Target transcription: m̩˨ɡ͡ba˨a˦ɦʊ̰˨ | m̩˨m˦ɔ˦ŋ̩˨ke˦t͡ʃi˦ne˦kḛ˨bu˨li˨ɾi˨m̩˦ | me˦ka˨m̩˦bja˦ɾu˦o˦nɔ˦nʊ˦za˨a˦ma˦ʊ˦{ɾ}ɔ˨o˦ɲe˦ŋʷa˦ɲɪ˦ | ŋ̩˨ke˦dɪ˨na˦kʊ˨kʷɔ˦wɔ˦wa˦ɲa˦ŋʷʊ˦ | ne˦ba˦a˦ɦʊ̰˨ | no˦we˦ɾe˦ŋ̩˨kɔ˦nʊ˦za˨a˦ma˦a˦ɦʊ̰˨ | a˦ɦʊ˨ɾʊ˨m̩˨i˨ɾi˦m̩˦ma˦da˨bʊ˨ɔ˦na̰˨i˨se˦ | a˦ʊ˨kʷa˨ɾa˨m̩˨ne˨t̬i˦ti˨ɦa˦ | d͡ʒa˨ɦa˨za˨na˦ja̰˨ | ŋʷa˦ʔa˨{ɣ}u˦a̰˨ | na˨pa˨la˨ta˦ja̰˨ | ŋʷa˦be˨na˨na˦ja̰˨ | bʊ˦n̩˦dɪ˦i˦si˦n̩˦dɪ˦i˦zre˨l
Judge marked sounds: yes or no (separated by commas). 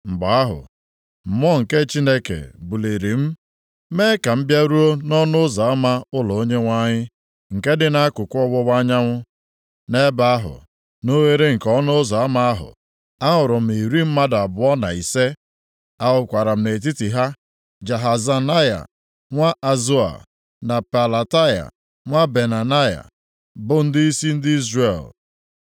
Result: no, no